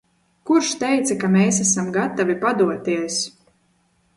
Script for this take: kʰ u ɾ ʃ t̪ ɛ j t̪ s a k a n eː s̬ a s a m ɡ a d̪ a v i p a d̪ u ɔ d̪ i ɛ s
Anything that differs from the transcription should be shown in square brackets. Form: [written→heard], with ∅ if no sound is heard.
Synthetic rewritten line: [kʰ→k] u ɾ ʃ t̪ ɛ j t̪ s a k a [n→m] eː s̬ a s a m ɡ a [d̪→t̪] a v i p a d̪ u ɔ [d̪→t̪] i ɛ s